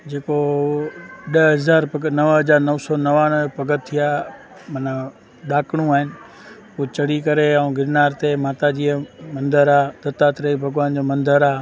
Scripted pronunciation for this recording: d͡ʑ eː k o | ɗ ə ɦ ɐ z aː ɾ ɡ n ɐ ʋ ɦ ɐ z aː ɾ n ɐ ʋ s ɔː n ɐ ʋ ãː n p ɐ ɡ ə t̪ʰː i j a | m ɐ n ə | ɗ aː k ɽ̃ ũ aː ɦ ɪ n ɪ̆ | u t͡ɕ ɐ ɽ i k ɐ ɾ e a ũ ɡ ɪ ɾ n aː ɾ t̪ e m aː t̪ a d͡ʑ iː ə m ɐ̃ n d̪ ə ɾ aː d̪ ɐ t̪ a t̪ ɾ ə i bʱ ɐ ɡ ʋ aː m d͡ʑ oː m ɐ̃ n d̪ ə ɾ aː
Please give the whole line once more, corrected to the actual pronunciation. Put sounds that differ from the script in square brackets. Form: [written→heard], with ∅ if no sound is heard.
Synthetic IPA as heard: d͡ʑ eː k o | ɗ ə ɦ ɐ z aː ɾ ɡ n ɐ ʋ ɦ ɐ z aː ɾ n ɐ ʋ s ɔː n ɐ ʋ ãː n p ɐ ɡ ə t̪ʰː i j a | m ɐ n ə | ɗ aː k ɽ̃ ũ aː ɦ ɪ n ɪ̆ | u t͡ɕ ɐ ɽ i k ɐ ɾ e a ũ ɡ ɪ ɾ n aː ɾ t̪ e m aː t̪ a d͡ʑ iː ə m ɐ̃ n d̪ ə ɾ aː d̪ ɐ t̪ a t̪ ɾ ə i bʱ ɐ ɡ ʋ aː [m→n] d͡ʑ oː m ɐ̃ n d̪ ə ɾ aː